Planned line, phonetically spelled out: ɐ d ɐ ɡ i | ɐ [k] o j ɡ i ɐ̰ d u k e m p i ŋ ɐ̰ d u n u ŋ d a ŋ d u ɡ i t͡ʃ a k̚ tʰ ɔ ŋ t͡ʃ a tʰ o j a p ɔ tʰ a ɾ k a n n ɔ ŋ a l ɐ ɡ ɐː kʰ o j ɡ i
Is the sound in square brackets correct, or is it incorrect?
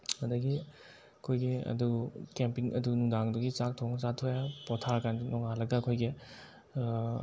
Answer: incorrect